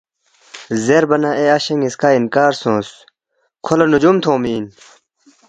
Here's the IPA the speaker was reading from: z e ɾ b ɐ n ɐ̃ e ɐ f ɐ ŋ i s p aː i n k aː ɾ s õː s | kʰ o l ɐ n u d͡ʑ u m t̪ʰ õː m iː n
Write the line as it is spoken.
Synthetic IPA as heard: z e ɾ b ɐ n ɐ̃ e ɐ ɕ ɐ ŋ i s k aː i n k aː ɾ s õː s | kʰ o l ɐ n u d͡ʑ u m t̪ʰ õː m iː n